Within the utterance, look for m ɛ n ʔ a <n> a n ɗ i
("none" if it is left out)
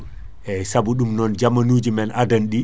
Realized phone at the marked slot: d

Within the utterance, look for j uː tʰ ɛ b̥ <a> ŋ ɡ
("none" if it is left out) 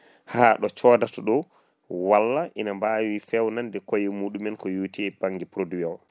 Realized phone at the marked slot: a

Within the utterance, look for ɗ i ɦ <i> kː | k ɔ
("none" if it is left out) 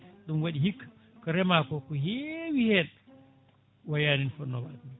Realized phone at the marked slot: i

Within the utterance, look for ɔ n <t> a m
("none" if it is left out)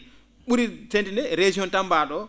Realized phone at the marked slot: t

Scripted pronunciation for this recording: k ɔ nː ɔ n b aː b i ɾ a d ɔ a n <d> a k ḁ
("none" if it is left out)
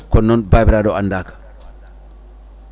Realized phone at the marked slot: d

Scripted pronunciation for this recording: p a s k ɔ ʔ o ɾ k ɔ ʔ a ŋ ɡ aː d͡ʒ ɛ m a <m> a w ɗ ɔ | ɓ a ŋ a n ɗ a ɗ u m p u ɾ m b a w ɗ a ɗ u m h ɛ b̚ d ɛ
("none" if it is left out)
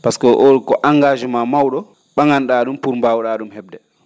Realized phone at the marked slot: m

